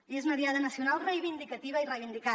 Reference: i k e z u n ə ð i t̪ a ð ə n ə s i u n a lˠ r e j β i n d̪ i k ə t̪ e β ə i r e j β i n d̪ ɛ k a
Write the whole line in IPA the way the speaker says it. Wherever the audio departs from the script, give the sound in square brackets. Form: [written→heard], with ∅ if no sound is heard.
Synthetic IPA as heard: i [k→∅] e z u n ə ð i [t̪→∅] a ð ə n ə s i u n a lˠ r e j β i n d̪ i k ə t̪ [e→i] β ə i r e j β i n d̪ [ɛ→i] k a